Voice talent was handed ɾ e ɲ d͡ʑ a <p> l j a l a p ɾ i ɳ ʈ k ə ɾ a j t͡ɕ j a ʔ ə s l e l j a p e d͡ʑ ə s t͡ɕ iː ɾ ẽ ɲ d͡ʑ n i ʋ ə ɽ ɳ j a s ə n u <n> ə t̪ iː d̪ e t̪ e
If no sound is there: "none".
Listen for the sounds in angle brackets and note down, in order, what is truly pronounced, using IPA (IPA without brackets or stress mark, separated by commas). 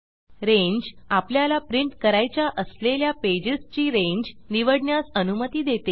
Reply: p, m